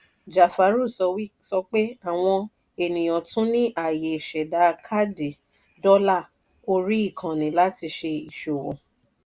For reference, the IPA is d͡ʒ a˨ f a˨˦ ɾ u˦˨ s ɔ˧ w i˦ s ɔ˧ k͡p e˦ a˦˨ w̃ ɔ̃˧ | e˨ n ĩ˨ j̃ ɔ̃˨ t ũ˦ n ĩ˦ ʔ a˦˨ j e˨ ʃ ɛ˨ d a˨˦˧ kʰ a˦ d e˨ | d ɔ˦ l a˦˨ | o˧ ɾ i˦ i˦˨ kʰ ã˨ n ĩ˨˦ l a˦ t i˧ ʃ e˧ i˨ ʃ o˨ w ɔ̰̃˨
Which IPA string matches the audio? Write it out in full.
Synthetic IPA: d͡ʒ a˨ f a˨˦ ɾ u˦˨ s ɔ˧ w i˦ s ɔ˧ k͡p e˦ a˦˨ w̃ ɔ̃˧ | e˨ n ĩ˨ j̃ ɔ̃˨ t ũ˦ n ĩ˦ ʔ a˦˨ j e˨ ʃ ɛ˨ d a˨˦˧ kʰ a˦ d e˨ | d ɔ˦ l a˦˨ | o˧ ɾ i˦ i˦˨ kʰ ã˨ n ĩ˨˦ l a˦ t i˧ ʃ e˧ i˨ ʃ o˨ w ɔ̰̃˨